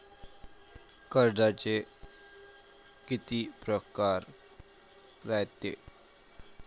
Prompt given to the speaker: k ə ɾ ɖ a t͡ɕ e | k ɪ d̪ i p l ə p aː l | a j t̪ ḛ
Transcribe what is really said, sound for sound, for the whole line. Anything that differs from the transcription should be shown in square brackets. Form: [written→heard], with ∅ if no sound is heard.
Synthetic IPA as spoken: k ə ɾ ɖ a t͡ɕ e | k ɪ [d̪→t̪] i p [l→ɾ] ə [p→k] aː [l→ɾ] | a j t̪ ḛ